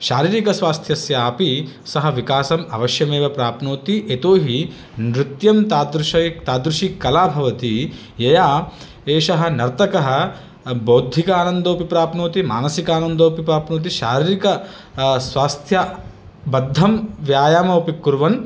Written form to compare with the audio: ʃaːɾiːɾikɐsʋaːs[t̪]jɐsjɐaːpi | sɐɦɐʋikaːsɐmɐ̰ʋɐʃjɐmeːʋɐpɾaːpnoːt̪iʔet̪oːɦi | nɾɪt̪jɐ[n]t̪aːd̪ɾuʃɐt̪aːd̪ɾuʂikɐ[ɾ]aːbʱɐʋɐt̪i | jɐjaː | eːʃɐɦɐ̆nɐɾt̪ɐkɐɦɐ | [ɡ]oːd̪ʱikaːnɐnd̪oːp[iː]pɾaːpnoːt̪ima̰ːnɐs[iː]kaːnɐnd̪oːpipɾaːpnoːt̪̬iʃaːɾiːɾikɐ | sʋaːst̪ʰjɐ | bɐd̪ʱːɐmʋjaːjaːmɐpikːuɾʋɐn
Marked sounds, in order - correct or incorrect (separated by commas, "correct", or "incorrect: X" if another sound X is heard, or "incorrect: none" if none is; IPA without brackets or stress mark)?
incorrect: t̪ʰ, incorrect: m, incorrect: l, incorrect: b, incorrect: i, incorrect: i